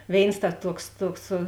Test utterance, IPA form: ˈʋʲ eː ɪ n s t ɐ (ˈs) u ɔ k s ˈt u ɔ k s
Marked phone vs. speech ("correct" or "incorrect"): incorrect